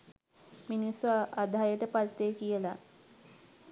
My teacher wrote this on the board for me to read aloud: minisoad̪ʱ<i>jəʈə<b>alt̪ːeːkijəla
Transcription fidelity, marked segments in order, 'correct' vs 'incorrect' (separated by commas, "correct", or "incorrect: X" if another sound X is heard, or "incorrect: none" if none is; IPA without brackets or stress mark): incorrect: a, incorrect: p